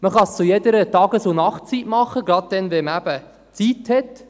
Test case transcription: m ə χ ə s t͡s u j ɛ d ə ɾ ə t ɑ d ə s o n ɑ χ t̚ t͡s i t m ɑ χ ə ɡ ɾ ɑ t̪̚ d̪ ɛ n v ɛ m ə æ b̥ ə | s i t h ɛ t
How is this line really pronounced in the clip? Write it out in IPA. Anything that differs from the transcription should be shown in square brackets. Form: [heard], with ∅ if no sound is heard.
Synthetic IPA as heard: m ə χ [ɑ] s t͡s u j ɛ d ə ɾ ə t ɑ [ɡ] ə s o n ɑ χ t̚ t͡s i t m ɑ χ ə ɡ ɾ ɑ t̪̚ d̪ ɛ n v ɛ m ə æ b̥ ə | [t͡s] i t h ɛ t